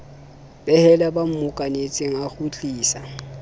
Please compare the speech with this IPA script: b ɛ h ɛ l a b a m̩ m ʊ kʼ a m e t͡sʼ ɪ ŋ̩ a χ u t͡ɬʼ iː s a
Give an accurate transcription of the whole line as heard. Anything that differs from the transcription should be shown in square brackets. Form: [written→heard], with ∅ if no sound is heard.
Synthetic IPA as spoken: b ɛ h ɛ l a b a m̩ m ʊ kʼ a [m→n] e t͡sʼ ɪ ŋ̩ a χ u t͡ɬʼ iː s a